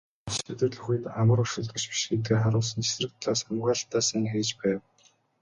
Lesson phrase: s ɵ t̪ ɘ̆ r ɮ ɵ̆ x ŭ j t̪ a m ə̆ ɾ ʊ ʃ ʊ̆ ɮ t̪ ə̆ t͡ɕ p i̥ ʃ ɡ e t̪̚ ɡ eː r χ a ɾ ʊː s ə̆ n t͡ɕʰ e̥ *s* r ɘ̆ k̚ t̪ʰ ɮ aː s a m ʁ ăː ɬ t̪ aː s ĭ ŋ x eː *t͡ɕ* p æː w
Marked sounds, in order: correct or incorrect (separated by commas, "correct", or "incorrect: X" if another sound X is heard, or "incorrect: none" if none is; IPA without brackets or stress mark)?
correct, correct